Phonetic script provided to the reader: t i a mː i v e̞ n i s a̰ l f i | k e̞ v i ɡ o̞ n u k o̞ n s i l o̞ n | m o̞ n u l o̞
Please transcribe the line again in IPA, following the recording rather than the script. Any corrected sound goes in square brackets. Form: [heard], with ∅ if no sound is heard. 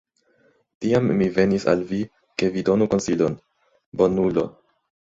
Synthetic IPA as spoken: t i a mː i v e̞ n i s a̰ l [v] i | k e̞ v i [d] o̞ n u k o̞ n s i l o̞ n | [b] o̞ n u l o̞